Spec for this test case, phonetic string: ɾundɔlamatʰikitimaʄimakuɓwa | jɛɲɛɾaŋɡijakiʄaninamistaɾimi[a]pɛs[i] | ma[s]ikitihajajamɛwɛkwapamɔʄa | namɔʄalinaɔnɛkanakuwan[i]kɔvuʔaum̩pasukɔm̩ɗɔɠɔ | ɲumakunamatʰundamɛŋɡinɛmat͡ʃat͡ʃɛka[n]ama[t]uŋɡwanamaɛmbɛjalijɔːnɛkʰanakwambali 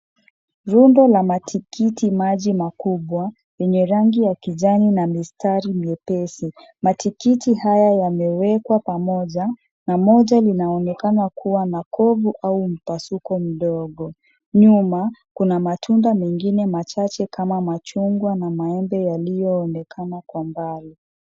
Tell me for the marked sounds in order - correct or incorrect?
incorrect, correct, incorrect, incorrect, incorrect, incorrect

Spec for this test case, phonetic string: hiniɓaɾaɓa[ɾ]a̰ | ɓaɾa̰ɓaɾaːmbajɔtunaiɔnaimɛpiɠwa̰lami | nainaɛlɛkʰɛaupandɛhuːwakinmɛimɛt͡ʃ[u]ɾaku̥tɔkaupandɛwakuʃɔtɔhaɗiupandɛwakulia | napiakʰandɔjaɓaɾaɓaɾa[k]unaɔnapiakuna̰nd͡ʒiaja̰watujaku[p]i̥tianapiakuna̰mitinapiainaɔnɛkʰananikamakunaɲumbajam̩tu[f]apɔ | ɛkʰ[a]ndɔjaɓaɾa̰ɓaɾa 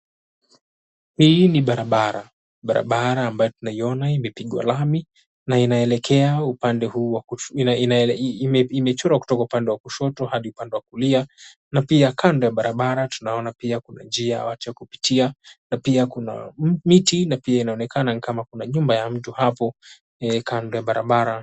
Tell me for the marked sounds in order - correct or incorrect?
correct, incorrect, incorrect, correct, incorrect, correct

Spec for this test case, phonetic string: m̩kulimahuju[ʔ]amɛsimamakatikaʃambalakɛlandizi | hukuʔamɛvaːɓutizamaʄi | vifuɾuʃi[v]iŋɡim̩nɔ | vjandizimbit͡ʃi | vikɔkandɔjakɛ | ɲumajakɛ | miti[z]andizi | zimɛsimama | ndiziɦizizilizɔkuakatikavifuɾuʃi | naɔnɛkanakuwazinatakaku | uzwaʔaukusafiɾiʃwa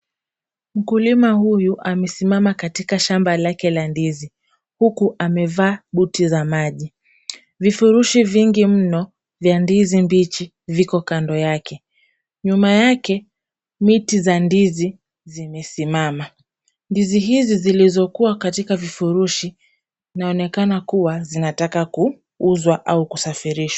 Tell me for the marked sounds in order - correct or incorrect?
correct, correct, correct

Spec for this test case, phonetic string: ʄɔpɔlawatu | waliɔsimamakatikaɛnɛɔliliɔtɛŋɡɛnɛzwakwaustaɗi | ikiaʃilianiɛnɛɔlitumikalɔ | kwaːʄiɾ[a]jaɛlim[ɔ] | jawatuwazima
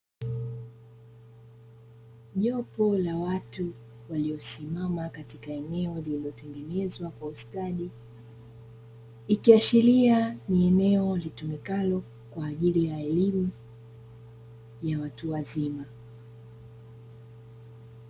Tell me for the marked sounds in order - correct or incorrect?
incorrect, incorrect

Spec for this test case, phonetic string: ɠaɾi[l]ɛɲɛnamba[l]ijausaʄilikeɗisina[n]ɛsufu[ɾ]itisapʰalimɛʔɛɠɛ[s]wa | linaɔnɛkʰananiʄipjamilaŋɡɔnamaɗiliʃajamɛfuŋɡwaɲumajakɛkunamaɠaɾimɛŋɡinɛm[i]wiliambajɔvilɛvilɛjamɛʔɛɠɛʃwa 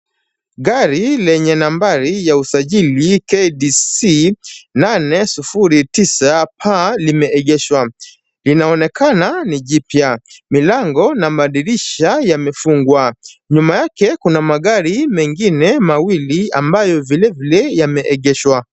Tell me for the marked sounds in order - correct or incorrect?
correct, incorrect, correct, correct, incorrect, incorrect

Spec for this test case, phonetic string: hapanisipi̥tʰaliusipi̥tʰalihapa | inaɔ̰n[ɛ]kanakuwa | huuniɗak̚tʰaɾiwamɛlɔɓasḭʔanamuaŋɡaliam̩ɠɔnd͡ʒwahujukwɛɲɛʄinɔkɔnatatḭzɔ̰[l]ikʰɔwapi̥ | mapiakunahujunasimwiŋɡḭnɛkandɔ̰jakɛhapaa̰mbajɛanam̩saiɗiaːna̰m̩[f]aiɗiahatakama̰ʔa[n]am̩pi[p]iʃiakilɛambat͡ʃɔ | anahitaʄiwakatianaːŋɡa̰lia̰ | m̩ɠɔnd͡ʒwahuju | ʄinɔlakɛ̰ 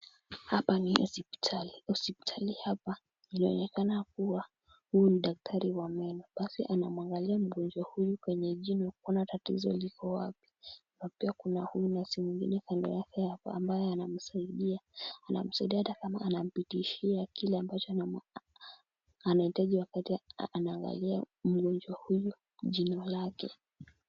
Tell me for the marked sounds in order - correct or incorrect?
correct, correct, incorrect, correct, incorrect

